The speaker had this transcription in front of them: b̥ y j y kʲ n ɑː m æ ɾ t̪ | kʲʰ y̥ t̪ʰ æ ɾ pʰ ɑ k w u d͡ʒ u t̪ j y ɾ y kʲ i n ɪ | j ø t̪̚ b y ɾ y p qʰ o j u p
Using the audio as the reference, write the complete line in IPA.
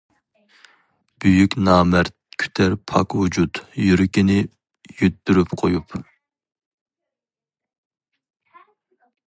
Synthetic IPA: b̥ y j y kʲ n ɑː m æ ɾ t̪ | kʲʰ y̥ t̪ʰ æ ɾ pʰ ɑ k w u d͡ʒ u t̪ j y ɾ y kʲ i n ɪ | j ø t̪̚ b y ɾ y p qʰ o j u p